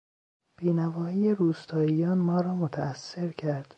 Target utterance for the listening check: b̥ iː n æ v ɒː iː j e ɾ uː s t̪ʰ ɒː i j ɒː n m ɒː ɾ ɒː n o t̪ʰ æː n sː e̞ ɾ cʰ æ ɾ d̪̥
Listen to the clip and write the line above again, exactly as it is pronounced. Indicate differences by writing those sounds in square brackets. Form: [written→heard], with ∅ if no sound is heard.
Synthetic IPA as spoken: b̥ iː n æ v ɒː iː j e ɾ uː s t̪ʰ ɒː i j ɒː n m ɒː ɾ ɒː [n→m] o t̪ʰ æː [n→∅] sː e̞ ɾ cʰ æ ɾ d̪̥